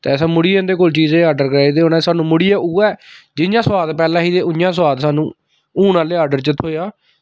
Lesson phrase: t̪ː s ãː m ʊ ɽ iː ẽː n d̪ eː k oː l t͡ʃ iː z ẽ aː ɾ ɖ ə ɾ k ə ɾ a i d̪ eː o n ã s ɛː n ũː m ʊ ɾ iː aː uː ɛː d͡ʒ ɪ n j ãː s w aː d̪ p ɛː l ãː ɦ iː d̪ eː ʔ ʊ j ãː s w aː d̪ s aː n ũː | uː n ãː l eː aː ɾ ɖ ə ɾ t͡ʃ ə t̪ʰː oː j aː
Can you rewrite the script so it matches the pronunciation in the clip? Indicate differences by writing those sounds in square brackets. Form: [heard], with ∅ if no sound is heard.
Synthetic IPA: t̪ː s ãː m ʊ ɽ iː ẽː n d̪ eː k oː l t͡ʃ iː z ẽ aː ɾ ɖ ə ɾ k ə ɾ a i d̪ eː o n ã s [aː] n ũː m ʊ [ɽ] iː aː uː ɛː d͡ʒ ɪ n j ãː s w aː d̪ p ɛː l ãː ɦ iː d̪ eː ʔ ʊ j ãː s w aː d̪ s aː n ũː | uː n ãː l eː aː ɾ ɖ ə ɾ t͡ʃ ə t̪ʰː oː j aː

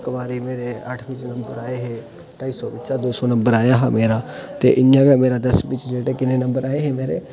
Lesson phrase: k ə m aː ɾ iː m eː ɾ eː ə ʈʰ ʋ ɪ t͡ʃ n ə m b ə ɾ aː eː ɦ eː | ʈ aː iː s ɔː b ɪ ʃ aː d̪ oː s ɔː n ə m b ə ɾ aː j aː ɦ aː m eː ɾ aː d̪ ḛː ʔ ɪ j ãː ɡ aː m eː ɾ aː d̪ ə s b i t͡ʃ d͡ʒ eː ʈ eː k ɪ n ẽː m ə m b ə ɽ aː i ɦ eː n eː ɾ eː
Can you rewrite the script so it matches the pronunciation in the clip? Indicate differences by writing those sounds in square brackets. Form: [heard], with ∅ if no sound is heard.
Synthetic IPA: k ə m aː ɾ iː m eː ɾ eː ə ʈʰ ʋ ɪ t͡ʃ n ə m b ə ɾ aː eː ɦ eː | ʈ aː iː s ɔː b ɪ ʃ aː d̪ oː s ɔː n ə m b ə ɾ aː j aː ɦ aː m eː ɾ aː [t̪] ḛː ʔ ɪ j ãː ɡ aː m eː ɾ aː d̪ ə s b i t͡ʃ d͡ʒ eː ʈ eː k ɪ n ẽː [n] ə m b ə [ɾ] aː [e] ɦ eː [m] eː ɾ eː

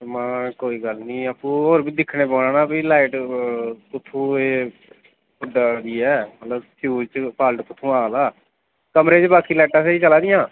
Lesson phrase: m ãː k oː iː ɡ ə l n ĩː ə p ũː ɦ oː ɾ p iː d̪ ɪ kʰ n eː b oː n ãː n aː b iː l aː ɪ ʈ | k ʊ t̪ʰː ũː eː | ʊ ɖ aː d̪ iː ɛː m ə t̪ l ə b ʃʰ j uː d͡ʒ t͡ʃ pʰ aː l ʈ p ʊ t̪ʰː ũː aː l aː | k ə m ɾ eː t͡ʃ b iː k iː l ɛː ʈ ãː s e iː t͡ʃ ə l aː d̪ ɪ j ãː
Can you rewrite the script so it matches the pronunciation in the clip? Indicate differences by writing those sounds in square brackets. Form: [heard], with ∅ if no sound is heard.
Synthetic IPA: m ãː k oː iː ɡ ə l n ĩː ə p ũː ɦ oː ɾ [b] iː d̪ ɪ kʰ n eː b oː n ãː n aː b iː l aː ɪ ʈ | k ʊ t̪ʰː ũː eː | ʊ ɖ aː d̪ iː ɛː m ə t̪ l ə b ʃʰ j uː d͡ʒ t͡ʃ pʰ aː l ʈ [k] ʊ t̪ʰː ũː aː l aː | k ə m ɾ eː t͡ʃ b [aː] k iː l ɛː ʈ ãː s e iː t͡ʃ ə l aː d̪ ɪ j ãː

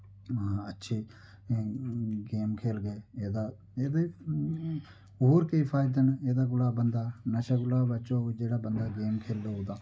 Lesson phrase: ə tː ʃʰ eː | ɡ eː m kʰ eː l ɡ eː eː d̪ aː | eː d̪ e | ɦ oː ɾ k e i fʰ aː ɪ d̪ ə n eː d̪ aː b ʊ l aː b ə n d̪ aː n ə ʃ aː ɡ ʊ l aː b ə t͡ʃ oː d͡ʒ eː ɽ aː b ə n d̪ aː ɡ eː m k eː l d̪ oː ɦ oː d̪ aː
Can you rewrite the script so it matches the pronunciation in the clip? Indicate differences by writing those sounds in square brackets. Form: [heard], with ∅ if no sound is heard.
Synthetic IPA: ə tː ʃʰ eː | ɡ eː m kʰ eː l ɡ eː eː d̪ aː | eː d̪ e | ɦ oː ɾ k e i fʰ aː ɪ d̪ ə n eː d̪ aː [ɡ] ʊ l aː b ə n d̪ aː n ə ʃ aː ɡ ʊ l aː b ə t͡ʃ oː d͡ʒ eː ɽ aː b ə n d̪ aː ɡ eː m [kʰ] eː l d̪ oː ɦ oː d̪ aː

